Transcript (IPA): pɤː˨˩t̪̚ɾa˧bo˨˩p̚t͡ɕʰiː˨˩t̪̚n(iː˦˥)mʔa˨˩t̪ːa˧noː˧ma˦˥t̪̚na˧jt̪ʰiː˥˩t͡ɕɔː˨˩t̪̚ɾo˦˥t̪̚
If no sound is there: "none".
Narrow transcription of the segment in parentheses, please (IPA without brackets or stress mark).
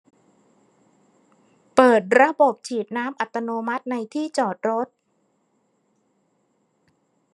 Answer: aː˦˥